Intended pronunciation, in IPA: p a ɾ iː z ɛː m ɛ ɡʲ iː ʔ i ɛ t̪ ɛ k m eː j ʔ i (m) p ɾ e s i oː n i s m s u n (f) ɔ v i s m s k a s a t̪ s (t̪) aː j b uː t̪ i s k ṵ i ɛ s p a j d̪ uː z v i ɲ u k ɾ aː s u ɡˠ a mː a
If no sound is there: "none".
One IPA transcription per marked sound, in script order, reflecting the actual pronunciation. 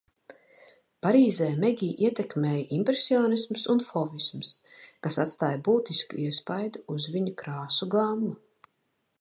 m, f, t̪

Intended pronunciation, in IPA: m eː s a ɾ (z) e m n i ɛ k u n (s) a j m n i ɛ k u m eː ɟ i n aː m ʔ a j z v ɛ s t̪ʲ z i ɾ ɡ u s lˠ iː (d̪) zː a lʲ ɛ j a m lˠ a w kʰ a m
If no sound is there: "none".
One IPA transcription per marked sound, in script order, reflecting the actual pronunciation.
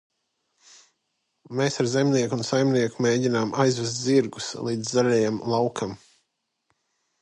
z, s, d̪

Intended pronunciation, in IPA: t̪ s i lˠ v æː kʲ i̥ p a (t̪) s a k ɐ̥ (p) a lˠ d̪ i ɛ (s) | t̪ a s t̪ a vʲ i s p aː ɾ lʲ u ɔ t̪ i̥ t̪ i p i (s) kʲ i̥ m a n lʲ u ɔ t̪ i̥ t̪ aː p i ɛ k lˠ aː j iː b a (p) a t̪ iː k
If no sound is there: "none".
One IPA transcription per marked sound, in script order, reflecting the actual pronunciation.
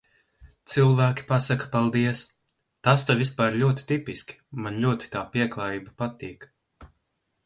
none, p, s, s, p

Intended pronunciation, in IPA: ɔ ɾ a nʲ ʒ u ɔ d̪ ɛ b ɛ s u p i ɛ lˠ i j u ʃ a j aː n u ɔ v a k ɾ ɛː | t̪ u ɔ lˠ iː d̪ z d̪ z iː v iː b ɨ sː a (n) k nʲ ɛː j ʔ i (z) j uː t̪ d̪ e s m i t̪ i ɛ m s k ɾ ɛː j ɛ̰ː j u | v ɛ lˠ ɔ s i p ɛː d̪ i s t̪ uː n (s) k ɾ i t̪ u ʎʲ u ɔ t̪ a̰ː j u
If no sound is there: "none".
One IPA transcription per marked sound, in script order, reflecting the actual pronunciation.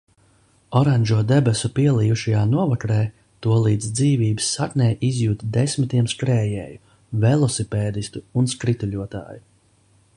none, z, s

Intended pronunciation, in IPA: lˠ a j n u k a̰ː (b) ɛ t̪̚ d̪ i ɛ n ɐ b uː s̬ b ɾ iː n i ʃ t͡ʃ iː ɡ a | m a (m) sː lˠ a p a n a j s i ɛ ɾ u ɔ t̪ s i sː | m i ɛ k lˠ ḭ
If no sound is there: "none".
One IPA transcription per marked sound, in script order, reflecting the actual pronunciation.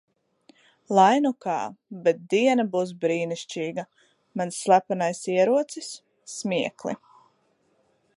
b, n

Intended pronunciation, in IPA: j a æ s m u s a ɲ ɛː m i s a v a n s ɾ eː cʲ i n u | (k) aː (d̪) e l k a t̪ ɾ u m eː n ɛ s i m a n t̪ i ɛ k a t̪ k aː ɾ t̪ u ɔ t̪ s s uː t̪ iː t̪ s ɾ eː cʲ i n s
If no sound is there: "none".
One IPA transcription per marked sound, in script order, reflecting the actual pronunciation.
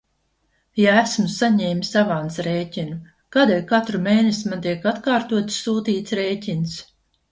k, d̪

